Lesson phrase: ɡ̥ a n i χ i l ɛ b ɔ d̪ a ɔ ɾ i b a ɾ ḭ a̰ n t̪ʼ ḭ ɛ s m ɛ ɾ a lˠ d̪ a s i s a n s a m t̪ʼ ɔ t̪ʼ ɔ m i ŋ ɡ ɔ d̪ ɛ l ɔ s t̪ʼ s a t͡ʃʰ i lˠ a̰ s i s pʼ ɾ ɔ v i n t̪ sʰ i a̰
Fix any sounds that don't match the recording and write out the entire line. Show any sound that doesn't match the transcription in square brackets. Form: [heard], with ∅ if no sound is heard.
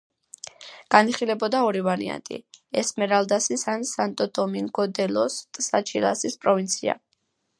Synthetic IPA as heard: ɡ̥ a n i χ i l ɛ b ɔ d̪ a ɔ ɾ i [v] a ɾ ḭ a̰ n t̪ʼ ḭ ɛ s m ɛ ɾ a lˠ d̪ a s i s a n s a [n] t̪ʼ ɔ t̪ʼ ɔ m i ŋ ɡ ɔ d̪ ɛ l ɔ s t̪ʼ s a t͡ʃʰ i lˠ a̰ s i s pʼ ɾ ɔ v i n t̪ sʰ i a̰

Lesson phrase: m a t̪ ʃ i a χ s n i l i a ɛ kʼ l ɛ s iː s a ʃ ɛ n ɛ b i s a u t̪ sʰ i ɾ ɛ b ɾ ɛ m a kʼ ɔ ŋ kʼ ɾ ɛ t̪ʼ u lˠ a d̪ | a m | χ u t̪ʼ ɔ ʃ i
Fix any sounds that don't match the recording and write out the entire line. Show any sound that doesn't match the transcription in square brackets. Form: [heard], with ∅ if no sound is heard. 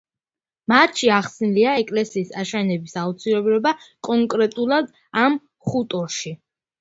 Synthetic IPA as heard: m a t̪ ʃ i a χ s n i l i a ɛ kʼ l ɛ s iː s a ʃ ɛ n ɛ b i s a u t̪ sʰ i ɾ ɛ b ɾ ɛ [b] a kʼ ɔ ŋ kʼ ɾ ɛ t̪ʼ u lˠ a d̪ | a m | χ u t̪ʼ ɔ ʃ i

